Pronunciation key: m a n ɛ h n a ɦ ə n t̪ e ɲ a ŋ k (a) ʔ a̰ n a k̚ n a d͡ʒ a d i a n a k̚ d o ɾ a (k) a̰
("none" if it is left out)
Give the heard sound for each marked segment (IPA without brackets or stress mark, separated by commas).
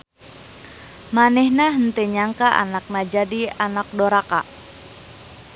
a, k